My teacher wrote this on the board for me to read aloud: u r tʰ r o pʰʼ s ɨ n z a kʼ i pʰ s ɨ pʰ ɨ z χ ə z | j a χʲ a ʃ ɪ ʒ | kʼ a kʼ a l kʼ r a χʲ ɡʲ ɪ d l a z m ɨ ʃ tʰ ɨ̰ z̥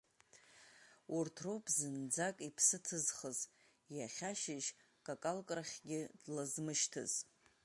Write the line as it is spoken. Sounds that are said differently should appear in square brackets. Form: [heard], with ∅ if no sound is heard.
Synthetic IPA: u r tʰ r o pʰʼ [z] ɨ n [d͡z] a kʼ i pʰ s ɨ [tʰ] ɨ z χ ə z | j a χʲ a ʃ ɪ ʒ | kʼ a kʼ a l kʼ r a χʲ ɡʲ ɪ d l a z m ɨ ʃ tʰ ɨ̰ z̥